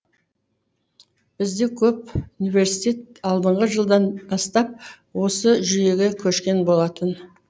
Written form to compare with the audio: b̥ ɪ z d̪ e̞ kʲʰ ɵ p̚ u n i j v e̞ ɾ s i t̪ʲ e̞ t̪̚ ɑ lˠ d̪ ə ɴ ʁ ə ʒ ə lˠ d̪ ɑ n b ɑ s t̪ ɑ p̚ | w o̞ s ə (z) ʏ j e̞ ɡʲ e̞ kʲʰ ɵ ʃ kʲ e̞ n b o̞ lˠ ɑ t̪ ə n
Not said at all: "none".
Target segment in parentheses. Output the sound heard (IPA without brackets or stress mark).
ʒ